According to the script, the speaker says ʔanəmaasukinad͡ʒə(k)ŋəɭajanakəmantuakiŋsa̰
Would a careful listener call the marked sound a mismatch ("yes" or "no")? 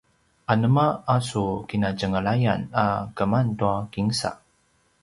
yes